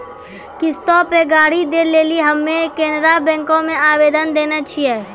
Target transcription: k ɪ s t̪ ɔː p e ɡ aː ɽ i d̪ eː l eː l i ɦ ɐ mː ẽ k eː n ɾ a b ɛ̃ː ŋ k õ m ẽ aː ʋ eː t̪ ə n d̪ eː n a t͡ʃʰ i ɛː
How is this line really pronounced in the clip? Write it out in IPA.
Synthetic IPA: k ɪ s t̪ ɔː p e ɡ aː ɽ i d̪ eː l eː l i ɦ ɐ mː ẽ k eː n ɾ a b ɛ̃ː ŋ k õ m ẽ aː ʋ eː d̪ ə n d̪ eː n a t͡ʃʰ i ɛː